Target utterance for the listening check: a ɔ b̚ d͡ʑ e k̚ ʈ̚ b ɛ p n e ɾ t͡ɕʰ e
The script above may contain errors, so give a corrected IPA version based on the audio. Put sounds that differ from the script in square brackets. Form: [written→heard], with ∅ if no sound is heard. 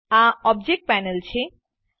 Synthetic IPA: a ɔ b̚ d͡ʑ e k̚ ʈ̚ [b→p] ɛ [p→∅] n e [ɾ→l] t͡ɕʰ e